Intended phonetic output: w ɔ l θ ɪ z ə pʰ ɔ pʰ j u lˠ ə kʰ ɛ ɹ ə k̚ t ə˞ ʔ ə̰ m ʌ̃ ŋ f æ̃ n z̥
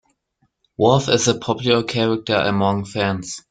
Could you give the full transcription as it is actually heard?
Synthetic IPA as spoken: w ɔ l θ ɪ z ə pʰ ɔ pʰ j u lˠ ə kʰ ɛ ɹ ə k̚ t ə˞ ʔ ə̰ m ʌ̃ ŋ f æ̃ n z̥

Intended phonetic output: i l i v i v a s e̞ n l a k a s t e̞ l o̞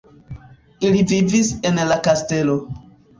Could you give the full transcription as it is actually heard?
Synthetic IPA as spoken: i l i v i v i s e̞ n l a k a s t e̞ l o̞

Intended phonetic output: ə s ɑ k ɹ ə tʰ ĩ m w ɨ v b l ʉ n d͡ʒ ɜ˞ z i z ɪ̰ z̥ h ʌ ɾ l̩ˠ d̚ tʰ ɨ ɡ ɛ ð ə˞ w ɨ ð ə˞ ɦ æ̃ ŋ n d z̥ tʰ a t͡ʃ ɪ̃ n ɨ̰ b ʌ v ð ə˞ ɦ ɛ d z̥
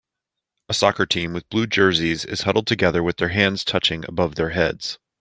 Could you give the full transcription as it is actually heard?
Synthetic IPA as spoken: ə s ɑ k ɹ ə tʰ ĩ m w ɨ ð b l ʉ d͡ʒ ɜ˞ z i z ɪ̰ z̥ h ʌ ɾ l̩ˠ d̚ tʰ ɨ ɡ ɛ ð ə˞ w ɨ ð ə˞ ɦ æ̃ n d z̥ tʰ ʌ t͡ʃ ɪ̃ ŋ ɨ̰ b ʌ v ð ə˞ ɦ ɛ d z̥

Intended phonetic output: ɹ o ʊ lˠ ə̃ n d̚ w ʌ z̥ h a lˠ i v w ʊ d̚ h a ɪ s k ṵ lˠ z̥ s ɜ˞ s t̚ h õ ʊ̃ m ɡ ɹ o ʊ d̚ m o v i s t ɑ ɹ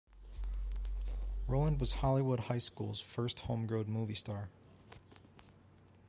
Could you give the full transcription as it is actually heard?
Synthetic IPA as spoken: ɹ o ʊ lˠ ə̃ n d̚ w ʌ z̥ h ɑ lˠ i w ʊ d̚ h a ɪ s k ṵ lˠ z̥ f ɜ˞ s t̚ h õ ʊ̃ m ɡ ɹ o ʊ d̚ m u v i s t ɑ ɹ

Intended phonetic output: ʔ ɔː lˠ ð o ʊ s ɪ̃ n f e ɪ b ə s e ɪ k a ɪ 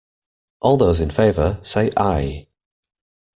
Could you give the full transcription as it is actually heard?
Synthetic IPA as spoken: ʔ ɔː lˠ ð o ʊ z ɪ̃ n f e ɪ v ə s e ɪ ʔ a ɪ

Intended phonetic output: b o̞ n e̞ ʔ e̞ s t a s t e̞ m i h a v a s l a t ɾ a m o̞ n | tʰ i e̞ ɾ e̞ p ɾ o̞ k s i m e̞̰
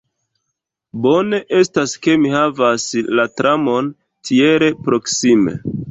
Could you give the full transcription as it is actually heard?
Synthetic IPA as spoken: b o̞ n e̞ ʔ e̞ s t a s k e̞ m i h a v a s l a t ɾ a m o̞ n | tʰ i e̞ ɾ e̞ p ɾ o̞ k s i m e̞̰

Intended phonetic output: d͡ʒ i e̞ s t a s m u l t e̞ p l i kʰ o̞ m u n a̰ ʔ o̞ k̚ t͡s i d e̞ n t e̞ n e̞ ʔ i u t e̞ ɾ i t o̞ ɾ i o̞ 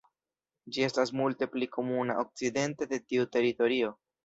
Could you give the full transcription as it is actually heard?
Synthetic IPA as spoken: d͡ʒ i e̞ s t a s m u l t e̞ p l i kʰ o̞ m u n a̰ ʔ o̞ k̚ t͡s i d e̞ n t e̞ d e̞ t i u t e̞ ɾ i t o̞ ɾ i o̞

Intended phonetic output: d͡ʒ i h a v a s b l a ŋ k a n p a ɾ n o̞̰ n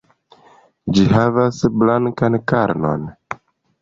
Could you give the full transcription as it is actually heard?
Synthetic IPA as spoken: d͡ʒ i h a v a s b l a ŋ k a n k a ɾ n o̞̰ n

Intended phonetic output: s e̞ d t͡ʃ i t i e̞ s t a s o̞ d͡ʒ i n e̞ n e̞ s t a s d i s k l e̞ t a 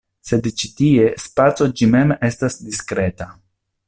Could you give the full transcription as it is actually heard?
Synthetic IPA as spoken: s e̞ d t͡ʃ i t i e̞ s p a t͡s o̞ d͡ʒ i m e̞ m e̞ s t a s d i s k ɾ e̞ t a

